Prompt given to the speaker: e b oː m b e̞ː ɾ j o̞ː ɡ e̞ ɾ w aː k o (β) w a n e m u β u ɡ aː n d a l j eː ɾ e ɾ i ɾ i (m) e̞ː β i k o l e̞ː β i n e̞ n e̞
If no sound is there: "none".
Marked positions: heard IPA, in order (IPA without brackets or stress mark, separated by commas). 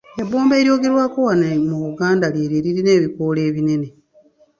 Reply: none, n